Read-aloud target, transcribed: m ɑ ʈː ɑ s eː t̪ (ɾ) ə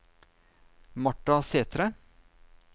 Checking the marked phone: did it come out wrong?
no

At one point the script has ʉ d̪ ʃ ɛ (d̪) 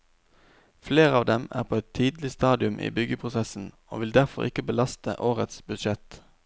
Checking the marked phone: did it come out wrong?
yes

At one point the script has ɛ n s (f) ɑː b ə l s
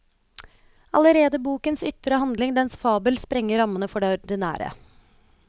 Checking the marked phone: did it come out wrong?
no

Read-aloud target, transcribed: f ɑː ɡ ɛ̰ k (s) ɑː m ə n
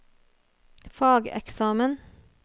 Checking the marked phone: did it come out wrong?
no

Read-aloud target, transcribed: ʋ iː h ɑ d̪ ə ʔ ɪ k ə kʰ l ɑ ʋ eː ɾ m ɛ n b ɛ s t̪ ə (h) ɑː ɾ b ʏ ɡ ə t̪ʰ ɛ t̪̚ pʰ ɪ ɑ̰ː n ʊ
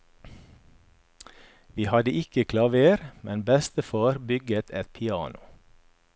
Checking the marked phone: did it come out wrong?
yes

